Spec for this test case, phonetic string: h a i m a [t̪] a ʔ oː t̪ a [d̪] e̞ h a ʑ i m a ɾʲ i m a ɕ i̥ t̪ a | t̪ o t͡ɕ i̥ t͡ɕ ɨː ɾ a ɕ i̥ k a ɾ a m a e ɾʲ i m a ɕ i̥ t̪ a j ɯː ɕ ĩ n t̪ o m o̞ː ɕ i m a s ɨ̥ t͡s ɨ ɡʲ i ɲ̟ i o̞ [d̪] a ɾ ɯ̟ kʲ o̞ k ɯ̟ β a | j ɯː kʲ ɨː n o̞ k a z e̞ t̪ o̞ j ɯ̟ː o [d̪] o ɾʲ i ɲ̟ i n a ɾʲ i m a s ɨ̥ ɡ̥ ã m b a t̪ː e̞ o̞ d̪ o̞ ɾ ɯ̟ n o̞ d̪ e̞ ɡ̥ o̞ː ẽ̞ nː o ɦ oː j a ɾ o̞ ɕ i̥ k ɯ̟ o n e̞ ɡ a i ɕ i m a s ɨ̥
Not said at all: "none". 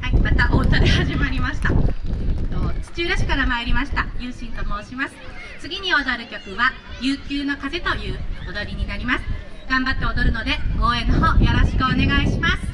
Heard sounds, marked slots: t̪, d̪, d̪, d̪

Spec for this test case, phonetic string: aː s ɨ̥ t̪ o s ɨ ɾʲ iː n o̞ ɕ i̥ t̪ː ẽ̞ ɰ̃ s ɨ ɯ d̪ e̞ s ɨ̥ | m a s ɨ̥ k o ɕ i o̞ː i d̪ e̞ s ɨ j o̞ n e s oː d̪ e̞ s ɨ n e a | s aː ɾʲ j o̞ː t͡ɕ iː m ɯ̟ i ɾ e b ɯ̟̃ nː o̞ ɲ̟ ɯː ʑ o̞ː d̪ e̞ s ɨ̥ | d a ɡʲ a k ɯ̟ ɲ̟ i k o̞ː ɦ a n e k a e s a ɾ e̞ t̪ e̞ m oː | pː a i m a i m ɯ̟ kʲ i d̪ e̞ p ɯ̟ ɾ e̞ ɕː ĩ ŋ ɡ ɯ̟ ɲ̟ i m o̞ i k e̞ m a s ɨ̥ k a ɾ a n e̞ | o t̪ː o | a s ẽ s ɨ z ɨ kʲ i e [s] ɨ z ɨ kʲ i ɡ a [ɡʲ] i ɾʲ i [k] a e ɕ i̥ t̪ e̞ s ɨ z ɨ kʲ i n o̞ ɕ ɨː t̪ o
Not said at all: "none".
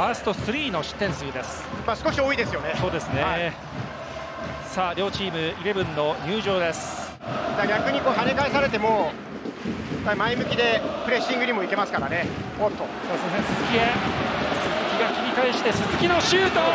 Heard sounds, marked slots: s, kʲ, k

